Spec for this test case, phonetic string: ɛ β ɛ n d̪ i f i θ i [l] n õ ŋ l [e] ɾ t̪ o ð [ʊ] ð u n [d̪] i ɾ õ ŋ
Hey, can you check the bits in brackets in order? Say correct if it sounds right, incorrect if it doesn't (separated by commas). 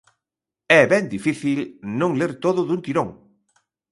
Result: correct, correct, correct, incorrect